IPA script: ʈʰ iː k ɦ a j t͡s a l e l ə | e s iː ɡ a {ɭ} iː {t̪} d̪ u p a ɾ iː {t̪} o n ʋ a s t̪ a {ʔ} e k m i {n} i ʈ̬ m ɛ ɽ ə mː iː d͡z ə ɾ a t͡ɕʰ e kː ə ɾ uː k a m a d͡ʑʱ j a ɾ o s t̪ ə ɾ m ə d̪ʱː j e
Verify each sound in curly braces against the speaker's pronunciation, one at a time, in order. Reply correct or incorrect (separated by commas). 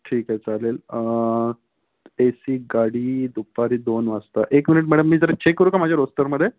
incorrect, incorrect, incorrect, correct, correct